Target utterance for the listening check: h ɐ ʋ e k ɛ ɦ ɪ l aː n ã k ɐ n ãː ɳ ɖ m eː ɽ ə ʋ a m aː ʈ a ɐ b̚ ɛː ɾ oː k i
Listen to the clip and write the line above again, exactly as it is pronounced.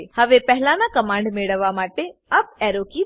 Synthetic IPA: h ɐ ʋ e p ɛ ɦ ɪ l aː n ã k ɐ m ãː ɳ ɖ m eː ɽ ə ʋ a m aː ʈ e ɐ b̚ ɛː ɾ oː k i